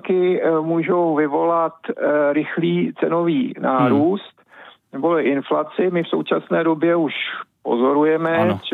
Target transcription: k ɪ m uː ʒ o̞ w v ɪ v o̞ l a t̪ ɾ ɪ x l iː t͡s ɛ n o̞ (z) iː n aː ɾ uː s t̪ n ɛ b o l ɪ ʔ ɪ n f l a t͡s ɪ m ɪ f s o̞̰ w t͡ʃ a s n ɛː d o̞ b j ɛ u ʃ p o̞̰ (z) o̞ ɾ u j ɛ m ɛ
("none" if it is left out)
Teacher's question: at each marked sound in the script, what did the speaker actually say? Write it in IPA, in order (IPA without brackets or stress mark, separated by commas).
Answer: v, z